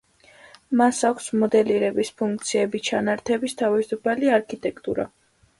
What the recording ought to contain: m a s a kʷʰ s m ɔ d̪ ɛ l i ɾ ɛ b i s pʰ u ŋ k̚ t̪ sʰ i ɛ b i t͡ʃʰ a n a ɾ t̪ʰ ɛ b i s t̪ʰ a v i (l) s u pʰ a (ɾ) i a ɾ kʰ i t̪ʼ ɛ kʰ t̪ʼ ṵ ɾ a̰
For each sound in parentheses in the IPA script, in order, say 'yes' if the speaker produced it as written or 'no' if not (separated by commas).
no, no